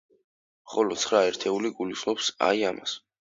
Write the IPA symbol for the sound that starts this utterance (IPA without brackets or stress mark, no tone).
χ